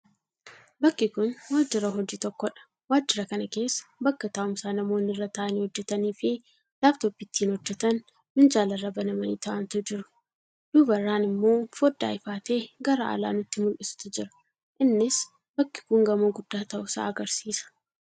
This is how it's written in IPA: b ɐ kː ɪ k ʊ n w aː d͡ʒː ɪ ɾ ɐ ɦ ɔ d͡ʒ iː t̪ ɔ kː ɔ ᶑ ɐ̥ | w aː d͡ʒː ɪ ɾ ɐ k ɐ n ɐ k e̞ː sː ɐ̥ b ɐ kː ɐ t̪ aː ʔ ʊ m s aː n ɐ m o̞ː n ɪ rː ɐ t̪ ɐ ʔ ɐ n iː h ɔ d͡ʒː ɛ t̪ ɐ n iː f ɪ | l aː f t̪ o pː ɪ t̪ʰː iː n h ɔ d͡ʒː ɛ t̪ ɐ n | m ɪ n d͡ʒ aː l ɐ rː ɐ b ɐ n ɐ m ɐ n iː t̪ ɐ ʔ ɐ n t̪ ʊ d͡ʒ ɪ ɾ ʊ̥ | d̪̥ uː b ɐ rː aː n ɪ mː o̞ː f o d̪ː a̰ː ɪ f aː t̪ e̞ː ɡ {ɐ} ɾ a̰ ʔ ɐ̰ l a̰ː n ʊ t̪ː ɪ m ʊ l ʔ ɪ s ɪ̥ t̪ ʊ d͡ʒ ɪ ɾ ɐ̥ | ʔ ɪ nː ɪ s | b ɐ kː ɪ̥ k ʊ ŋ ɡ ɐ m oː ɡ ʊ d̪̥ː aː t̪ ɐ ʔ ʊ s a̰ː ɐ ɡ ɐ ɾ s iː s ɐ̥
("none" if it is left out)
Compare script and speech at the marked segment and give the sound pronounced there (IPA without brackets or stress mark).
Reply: ɐ